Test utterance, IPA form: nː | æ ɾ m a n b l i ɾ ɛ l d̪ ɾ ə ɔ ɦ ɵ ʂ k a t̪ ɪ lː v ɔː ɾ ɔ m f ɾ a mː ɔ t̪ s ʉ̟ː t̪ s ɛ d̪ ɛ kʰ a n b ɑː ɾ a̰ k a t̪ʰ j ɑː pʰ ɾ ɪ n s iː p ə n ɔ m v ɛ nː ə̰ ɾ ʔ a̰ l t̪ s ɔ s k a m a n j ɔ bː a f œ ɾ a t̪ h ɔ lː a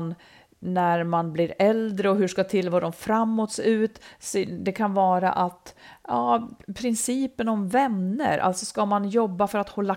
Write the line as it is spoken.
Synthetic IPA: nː | æ ɾ m a n b l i ɾ ɛ l d̪ ɾ ə ɔ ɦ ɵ ʂ k a t̪ʰ ɪ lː v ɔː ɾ ɔ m f ɾ a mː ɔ t̪ s ʉ̟ː t̪ s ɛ d̪ ɛ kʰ a n v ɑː ɾ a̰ ʔ a t̪ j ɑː pʰ ɾ ɪ n s iː p ə n ɔ m v ɛ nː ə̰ ɾ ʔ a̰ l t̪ s ɔ s k a m a n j ɔ bː a f œ ɾ a t̪ h ɔ lː a